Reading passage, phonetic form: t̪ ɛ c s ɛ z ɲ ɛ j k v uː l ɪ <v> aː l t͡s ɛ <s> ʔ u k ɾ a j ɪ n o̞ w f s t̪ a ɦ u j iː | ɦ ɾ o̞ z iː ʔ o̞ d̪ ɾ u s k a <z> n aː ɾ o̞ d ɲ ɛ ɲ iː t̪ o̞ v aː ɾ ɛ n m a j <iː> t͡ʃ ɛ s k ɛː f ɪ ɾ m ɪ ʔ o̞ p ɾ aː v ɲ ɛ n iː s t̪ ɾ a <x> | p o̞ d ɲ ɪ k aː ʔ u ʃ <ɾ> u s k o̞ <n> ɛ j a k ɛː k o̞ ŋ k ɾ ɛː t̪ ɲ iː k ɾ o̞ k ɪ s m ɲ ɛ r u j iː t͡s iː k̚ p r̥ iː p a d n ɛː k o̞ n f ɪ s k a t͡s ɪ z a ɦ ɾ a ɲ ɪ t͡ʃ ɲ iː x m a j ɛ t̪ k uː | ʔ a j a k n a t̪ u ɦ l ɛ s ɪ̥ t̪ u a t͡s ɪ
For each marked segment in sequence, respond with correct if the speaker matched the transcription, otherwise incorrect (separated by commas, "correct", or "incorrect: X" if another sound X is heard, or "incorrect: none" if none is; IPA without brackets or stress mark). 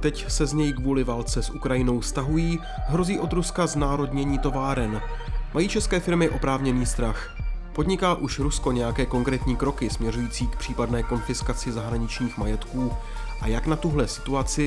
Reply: correct, correct, correct, correct, correct, correct, incorrect: ɲ